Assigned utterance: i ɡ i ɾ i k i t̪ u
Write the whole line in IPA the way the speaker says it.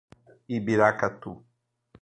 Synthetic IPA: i b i ɾ a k a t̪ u